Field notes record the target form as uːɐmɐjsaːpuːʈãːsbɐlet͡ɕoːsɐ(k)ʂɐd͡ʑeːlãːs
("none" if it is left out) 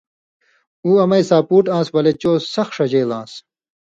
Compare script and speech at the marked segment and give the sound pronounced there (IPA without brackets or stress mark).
x